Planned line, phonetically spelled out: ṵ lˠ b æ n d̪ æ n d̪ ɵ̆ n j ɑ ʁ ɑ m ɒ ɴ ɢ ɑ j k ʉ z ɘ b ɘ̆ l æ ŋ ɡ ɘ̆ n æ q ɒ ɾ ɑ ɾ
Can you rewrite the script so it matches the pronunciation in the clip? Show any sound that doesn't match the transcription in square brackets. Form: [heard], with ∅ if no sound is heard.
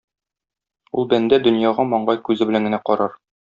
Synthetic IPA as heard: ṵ lˠ b æ n d̪ æ [∅] d̪ ɵ̆ n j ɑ ʁ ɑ m ɒ ɴ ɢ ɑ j k ʉ z ɘ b ɘ̆ l æ ŋ ɡ ɘ̆ n æ q ɒ ɾ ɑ ɾ